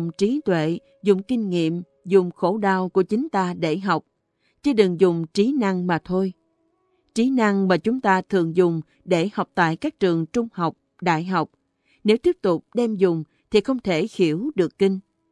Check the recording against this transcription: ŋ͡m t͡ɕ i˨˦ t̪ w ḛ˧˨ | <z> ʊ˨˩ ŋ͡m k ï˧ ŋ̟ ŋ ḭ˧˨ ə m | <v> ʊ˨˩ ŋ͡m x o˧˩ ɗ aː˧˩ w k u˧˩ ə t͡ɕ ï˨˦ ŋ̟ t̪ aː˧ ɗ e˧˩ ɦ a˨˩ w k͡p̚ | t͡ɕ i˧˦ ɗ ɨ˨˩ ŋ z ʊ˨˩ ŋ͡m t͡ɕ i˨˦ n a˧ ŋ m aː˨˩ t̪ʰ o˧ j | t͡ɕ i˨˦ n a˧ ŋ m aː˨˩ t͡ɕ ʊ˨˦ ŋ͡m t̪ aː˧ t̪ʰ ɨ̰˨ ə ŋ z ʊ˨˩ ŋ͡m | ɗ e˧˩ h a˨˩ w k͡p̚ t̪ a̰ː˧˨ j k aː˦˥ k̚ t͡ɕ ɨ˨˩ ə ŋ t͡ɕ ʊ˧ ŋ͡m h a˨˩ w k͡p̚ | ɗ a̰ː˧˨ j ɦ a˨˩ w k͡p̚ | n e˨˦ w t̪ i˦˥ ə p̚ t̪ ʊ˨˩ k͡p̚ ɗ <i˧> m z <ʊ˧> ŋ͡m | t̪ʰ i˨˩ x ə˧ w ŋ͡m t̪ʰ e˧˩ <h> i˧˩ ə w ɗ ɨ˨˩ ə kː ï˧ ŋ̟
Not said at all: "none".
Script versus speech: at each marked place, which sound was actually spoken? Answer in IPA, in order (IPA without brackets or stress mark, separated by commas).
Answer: z, z, ɛ˧, ʊ˨˩, x